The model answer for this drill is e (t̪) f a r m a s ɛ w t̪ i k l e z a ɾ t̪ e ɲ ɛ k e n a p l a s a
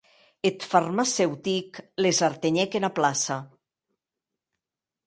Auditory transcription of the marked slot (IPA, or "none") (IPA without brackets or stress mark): t̪